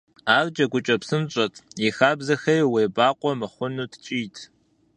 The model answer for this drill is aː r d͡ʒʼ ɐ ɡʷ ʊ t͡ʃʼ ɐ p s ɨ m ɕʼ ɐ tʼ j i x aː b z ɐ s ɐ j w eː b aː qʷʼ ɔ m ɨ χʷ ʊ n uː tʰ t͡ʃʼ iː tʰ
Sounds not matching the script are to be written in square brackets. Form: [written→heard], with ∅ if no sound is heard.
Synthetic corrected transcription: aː r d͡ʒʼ ɐ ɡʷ ʊ t͡ʃʼ ɐ p s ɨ m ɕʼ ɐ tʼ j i x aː b z ɐ [s→x] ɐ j w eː b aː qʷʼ ɔ m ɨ χʷ ʊ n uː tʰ t͡ʃʼ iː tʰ